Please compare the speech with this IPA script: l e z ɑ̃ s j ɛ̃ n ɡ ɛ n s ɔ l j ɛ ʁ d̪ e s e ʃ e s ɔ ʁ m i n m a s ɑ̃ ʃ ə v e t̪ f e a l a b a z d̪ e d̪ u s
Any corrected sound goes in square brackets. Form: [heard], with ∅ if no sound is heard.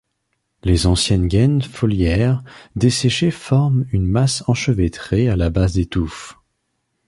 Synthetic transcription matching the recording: l e z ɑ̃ s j [ɛ] n ɡ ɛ n [f] ɔ l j ɛ ʁ d̪ e s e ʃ e [f] ɔ ʁ m [y] n m a s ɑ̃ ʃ ə v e t̪ [χ] e a l a b a z d̪ e [t̪] u [f]

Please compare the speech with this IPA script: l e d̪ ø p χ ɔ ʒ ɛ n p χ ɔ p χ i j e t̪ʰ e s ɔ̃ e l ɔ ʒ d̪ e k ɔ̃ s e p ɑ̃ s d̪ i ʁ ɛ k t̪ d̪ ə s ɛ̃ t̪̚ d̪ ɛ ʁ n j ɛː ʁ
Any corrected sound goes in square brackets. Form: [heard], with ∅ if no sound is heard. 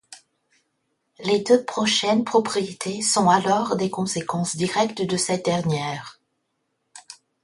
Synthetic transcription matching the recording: l e d̪ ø p χ ɔ [ʃ] ɛ n p χ ɔ p χ i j e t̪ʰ e s ɔ̃ [a] l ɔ [ʁ] d̪ e k ɔ̃ s e [k] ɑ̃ s d̪ i ʁ ɛ k t̪ d̪ ə s [ɛ] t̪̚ d̪ ɛ ʁ n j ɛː ʁ

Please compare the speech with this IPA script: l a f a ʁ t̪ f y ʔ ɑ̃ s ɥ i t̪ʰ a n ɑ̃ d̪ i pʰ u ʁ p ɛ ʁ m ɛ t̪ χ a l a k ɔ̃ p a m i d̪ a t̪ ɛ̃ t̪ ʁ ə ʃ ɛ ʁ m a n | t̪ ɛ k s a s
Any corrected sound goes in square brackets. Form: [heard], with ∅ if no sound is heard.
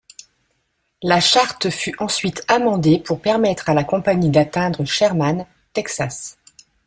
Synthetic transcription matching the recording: l a [ʃ] a ʁ t̪ f y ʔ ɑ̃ s ɥ i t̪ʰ a [m] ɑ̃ d̪ [e] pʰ u ʁ p ɛ ʁ m ɛ t̪ χ a l a k ɔ̃ p a [ɲ] i d̪ a t̪ ɛ̃ [d̪] ʁ ə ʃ ɛ ʁ m a n | t̪ ɛ k s a s

